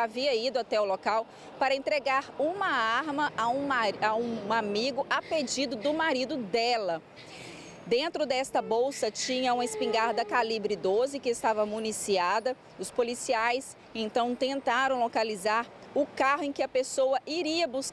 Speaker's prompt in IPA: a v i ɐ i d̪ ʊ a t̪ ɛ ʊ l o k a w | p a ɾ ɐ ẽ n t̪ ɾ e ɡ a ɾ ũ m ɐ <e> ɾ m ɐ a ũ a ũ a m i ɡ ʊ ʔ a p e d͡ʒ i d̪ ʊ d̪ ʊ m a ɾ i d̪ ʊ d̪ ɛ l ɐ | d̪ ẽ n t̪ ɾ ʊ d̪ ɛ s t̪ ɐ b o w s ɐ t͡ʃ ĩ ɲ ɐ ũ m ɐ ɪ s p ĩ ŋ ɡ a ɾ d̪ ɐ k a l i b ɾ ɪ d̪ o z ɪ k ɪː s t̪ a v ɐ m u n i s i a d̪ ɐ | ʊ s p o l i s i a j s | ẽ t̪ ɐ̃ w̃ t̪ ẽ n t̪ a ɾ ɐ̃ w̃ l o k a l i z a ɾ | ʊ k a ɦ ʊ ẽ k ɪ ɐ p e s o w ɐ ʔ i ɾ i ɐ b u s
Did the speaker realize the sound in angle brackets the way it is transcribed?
no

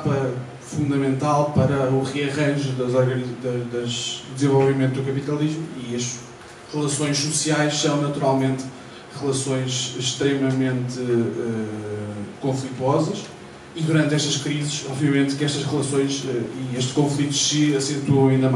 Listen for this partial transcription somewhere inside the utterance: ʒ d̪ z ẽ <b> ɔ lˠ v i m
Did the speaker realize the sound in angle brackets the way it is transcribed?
no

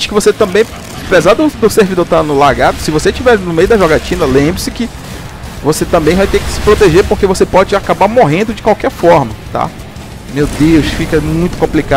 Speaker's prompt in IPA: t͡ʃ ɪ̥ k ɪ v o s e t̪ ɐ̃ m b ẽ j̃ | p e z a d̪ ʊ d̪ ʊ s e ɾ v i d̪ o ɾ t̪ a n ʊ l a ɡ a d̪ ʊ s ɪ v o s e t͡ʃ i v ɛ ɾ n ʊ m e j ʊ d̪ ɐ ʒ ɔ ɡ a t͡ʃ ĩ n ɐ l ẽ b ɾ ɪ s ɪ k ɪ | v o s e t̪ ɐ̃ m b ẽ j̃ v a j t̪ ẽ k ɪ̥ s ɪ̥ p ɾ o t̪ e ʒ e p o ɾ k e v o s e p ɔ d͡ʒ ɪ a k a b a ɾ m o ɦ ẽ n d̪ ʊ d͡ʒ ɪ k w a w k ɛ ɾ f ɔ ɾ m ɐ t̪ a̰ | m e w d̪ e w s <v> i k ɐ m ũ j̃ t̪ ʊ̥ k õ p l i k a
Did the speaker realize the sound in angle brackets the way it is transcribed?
no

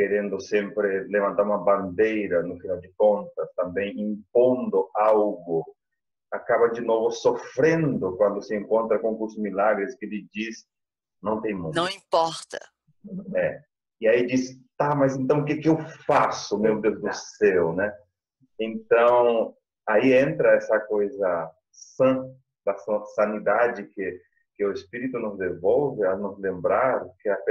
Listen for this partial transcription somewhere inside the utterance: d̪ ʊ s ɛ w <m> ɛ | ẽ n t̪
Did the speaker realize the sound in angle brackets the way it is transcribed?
no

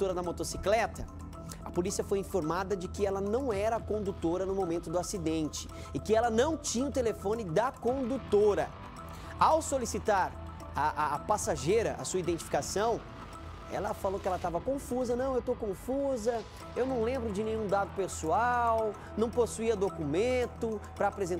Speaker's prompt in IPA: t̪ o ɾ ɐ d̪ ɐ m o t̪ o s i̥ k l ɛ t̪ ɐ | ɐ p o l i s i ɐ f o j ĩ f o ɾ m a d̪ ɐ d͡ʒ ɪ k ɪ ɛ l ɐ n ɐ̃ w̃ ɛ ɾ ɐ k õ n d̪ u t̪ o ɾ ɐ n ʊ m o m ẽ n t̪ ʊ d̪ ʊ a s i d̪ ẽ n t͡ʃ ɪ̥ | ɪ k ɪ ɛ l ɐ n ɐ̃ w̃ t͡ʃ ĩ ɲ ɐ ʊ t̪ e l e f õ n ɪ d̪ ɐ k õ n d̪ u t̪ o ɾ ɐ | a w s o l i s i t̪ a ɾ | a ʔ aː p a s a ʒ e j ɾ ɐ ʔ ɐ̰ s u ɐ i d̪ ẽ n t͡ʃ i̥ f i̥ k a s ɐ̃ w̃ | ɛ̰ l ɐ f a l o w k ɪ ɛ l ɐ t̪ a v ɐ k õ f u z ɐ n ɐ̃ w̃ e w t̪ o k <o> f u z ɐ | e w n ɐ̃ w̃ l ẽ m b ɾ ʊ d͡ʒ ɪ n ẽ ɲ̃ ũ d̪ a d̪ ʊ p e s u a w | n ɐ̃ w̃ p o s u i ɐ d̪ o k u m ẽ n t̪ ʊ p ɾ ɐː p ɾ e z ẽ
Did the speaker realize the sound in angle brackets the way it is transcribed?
no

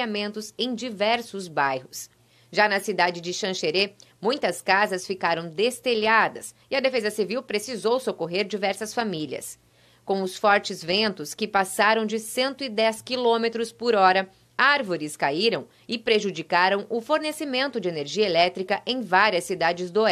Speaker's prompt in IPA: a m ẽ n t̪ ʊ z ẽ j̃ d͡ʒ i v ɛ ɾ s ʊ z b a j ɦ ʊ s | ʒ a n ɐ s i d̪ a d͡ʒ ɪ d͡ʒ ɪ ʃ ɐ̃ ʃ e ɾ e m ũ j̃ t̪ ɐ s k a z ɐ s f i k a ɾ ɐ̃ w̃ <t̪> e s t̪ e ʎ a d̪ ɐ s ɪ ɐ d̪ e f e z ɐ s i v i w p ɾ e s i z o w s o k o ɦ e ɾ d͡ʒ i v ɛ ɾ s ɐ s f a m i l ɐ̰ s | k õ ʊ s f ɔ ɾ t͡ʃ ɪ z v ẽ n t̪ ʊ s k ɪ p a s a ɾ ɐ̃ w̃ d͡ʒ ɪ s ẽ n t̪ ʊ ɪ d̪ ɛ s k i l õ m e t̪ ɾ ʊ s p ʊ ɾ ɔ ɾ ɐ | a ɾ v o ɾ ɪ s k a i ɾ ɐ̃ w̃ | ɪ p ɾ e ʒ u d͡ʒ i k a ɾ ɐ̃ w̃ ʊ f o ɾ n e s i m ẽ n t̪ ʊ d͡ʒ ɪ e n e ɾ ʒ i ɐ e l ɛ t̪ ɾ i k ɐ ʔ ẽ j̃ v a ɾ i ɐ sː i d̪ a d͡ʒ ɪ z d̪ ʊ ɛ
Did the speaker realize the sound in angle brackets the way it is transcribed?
no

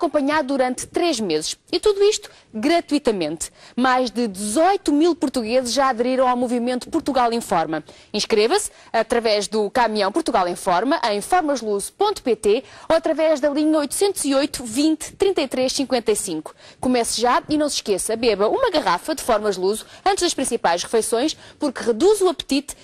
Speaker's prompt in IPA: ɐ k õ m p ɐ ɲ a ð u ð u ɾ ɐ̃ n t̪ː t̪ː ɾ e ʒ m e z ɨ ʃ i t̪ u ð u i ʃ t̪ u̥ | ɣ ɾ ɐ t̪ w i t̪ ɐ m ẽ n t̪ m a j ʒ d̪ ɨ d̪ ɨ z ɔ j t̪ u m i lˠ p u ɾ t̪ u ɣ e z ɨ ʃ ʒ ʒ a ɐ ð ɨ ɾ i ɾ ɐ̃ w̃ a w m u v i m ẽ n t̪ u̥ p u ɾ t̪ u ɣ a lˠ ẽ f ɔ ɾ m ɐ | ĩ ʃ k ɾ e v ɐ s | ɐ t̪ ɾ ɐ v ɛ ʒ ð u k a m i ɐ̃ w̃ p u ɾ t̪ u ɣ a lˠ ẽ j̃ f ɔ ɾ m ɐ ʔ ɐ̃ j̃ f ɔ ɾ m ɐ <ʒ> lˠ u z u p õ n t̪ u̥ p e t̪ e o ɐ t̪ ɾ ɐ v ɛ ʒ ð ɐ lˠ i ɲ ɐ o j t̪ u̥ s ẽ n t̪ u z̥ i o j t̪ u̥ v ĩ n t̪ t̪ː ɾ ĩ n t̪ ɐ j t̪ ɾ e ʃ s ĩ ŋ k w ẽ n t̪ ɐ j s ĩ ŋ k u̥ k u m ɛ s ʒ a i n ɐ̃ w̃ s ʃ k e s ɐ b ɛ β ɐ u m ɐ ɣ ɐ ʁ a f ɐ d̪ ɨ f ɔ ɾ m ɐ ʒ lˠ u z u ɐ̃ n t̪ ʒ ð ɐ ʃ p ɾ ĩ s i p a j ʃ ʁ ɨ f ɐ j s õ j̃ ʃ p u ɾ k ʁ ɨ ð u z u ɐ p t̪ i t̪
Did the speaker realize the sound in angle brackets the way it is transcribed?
yes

